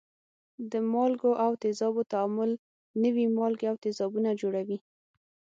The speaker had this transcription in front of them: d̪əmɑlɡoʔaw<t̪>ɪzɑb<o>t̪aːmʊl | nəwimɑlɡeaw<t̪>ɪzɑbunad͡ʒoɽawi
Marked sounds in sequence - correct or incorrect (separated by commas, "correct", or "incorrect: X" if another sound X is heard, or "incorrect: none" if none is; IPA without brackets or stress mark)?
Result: correct, correct, correct